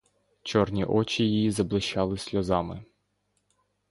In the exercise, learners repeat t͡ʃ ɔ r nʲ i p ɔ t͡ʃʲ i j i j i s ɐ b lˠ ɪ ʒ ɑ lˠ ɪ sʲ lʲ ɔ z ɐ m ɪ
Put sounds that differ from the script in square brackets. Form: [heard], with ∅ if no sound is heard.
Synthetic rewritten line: t͡ʃ ɔ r nʲ i [ʔ] ɔ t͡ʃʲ i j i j i [z] ɐ b lˠ ɪ [ʃ] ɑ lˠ ɪ sʲ lʲ ɔ z [ɑ] m ɪ